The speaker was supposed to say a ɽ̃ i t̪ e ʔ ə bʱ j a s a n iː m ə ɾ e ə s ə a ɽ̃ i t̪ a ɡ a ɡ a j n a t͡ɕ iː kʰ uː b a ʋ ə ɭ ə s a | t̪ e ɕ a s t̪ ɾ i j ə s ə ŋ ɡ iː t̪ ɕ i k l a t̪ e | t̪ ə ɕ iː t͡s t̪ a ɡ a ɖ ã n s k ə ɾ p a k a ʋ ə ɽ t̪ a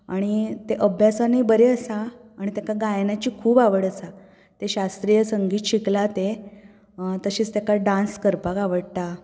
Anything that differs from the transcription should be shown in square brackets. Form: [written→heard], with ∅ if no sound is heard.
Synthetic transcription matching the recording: a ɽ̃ i t̪ e ʔ ə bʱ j a s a n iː [m→b] ə ɾ e ə s [ə→a] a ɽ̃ i t̪ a [ɡ→k] a ɡ a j n a t͡ɕ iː kʰ uː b a ʋ ə [ɭ→ɽ] ə s a | t̪ e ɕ a s t̪ ɾ i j ə s ə ŋ ɡ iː t̪ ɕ i k l a t̪ e | t̪ ə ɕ iː t͡s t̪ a [ɡ→k] a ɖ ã n s k ə ɾ p a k a ʋ ə ɽ t̪ a